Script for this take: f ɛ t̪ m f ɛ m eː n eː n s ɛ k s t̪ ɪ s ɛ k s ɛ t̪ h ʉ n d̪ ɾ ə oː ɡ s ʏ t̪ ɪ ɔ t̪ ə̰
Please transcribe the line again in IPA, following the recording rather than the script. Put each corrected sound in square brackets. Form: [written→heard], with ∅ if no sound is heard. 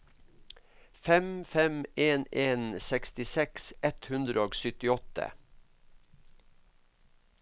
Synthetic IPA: f ɛ [t̪→∅] m f ɛ m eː n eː n s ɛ k s t̪ ɪ s ɛ k s ɛ t̪ h ʉ n d̪ ɾ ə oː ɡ s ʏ t̪ ɪ ɔ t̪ ə̰